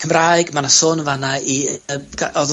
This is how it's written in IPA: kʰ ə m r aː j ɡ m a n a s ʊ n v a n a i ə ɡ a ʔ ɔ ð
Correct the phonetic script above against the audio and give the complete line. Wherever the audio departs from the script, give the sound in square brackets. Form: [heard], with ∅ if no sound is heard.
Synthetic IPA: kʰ ə m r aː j ɡ m a n a s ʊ n v a n a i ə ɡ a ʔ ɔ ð